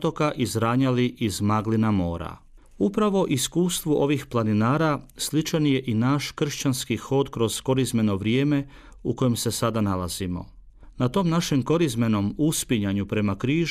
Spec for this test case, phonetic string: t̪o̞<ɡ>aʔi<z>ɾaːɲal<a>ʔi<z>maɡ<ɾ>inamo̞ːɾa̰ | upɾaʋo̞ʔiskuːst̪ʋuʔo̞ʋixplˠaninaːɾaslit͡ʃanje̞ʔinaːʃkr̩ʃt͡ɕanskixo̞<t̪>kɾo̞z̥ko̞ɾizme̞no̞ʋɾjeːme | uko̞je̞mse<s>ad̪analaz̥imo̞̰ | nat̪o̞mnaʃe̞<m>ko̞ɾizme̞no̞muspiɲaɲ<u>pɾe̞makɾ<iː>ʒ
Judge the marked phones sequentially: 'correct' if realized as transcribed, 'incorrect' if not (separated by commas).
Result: incorrect, correct, incorrect, correct, incorrect, incorrect, correct, correct, correct, correct